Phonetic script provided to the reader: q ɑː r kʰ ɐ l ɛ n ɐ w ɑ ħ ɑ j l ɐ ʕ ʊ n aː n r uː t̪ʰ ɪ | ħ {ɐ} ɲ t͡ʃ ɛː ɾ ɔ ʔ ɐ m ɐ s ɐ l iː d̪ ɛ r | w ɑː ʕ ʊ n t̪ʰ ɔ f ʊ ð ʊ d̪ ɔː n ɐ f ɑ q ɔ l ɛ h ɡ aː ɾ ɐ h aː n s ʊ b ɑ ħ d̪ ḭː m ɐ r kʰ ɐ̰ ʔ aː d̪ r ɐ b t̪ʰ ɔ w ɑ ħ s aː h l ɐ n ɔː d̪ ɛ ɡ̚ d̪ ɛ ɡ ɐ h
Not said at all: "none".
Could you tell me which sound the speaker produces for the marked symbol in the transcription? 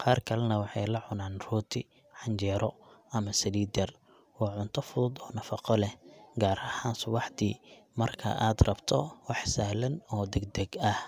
ɑ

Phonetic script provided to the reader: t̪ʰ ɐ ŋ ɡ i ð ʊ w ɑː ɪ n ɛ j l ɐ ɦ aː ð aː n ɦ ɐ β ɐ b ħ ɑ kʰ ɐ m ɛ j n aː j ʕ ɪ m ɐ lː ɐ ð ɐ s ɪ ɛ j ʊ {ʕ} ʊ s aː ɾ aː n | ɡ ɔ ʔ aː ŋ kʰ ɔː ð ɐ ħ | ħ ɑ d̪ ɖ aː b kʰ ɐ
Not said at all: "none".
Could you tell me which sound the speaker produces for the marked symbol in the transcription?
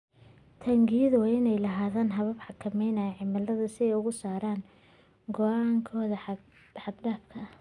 ɣ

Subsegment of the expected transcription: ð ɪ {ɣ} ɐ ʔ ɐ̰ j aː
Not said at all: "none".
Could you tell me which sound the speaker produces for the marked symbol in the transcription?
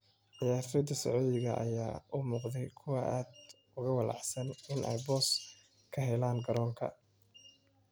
ɣ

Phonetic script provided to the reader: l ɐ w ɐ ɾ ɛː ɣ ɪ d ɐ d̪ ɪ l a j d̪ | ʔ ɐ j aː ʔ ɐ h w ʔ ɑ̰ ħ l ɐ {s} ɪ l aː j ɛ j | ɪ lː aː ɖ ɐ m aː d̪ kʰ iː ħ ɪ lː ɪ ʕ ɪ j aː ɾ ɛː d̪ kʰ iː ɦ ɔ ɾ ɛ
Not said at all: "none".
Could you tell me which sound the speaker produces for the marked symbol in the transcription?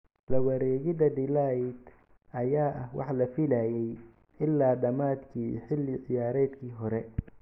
f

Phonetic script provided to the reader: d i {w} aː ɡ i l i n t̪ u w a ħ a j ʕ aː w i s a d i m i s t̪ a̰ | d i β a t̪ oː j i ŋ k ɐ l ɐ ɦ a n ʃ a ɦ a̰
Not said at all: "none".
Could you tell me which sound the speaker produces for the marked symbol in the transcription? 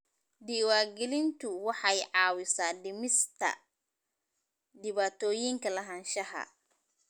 w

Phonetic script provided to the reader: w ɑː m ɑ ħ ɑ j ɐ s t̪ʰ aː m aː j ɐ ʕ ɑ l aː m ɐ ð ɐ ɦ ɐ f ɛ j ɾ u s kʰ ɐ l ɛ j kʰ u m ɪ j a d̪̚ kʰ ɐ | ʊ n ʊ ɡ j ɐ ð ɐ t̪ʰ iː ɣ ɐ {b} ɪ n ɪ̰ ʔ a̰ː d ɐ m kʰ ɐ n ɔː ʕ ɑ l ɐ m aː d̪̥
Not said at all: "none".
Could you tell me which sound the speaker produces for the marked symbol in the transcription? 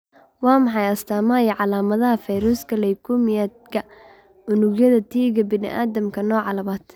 b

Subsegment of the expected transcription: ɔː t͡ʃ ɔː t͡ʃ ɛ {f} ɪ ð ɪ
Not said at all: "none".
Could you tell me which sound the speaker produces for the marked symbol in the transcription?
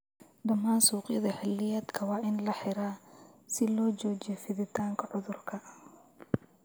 f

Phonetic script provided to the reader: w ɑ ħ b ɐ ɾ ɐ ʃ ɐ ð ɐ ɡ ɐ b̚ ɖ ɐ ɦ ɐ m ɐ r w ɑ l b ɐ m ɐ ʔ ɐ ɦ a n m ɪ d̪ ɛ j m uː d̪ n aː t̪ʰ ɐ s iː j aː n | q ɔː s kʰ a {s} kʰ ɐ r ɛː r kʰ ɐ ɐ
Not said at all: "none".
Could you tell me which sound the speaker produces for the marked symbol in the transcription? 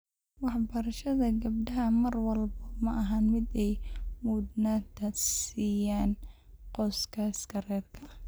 s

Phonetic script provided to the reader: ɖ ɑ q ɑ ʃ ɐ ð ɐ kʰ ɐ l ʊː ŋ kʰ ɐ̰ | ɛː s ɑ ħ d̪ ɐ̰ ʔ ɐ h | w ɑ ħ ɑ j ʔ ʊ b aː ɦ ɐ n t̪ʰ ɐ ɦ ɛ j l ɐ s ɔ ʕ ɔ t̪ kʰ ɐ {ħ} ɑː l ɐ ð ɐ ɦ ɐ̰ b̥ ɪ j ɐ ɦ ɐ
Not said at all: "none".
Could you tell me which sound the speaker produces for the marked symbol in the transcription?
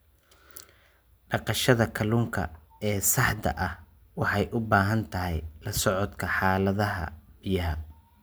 ħ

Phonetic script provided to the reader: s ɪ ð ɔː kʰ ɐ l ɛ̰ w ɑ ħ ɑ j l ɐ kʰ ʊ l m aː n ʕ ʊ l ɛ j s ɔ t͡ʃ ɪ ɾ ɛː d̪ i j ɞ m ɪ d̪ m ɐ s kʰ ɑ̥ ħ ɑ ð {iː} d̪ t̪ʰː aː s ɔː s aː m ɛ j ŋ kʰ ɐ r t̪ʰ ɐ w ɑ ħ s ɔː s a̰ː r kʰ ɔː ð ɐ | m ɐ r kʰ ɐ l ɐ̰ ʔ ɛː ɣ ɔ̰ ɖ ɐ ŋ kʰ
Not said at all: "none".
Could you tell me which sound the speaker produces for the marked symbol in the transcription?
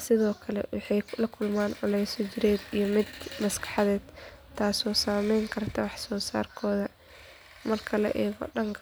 ɛː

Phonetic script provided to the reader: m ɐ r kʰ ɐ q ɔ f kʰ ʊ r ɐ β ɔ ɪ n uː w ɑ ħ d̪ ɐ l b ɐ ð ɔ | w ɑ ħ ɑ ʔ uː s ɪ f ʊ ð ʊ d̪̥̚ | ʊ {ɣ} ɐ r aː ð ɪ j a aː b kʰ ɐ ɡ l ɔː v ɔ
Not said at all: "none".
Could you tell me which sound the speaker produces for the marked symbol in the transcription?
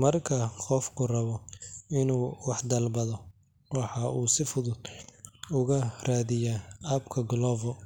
ɣ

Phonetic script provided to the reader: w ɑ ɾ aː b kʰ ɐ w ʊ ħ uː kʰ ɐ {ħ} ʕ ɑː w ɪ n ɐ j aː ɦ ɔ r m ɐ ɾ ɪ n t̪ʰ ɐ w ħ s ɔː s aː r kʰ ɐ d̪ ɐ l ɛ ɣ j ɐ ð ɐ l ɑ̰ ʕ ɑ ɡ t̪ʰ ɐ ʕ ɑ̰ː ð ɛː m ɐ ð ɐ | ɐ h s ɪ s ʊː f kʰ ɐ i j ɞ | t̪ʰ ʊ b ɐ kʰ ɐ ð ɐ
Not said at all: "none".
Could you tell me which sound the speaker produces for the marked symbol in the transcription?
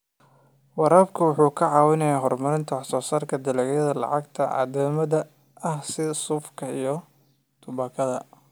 none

